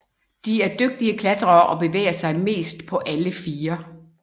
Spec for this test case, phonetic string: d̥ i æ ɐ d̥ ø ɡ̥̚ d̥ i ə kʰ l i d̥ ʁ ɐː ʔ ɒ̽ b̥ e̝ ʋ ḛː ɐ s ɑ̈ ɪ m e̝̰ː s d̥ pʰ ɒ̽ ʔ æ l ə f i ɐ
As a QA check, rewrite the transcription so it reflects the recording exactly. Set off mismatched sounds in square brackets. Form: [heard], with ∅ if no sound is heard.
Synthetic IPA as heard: d̥ i æ ɐ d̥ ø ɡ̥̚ d̥ i ə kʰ l [æ] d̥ ʁ ɐː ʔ ɒ̽ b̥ e̝ ʋ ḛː ɐ s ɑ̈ ɪ m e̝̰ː s d̥ pʰ ɒ̽ ʔ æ l ə f [iː] ɐ